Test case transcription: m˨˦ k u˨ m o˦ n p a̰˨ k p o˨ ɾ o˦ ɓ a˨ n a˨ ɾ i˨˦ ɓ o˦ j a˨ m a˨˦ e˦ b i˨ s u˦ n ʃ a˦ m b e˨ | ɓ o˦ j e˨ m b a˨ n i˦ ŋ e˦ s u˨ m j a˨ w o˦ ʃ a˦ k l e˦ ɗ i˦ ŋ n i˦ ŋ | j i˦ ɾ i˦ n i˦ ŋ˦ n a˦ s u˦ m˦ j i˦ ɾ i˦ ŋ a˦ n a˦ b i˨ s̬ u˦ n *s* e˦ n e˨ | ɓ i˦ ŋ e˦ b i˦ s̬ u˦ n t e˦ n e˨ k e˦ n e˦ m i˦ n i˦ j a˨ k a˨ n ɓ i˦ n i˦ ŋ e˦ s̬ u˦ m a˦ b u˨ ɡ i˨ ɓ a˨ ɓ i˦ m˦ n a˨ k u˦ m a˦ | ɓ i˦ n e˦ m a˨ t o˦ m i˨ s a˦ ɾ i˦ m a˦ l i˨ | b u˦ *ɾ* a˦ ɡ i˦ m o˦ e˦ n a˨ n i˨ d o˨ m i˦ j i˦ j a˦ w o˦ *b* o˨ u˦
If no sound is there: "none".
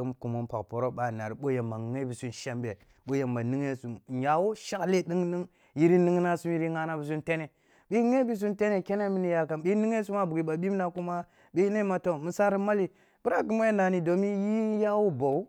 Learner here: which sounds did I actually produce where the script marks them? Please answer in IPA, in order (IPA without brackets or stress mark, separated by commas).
t, ɾ, b